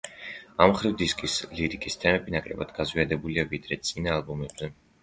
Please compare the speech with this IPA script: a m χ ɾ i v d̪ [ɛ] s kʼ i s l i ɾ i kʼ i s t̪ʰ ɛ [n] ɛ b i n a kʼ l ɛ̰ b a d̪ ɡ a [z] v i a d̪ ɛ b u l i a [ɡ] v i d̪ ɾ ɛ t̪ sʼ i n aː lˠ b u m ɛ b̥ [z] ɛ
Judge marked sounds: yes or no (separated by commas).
no, no, yes, no, yes